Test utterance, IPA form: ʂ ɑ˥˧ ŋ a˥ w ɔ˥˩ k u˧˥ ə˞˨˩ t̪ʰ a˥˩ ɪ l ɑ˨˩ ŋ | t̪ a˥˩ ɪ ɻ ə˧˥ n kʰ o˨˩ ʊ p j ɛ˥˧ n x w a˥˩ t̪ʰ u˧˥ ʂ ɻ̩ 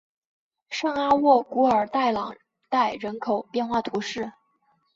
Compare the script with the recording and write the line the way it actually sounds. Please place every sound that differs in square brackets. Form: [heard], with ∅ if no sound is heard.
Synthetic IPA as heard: ʂ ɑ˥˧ ŋ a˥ w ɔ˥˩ k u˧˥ ə˞˨˩ [t̪] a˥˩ ɪ l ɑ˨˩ ŋ | t̪ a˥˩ ɪ ɻ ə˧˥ n kʰ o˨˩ ʊ p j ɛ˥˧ n x w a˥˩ t̪ʰ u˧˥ ʂ ɻ̩